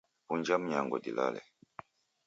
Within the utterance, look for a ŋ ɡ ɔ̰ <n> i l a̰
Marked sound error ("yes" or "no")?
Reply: yes